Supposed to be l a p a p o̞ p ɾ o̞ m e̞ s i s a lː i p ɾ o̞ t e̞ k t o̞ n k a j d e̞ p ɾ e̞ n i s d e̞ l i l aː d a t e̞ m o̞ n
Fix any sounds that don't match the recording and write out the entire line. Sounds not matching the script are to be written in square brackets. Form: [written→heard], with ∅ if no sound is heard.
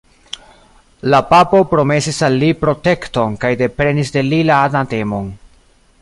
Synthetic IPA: l a p a p o̞ p ɾ o̞ m e̞ s i s a lː i p ɾ o̞ t e̞ k t o̞ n k a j d e̞ p ɾ e̞ n i s d e̞ l i l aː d a t e̞ m o̞ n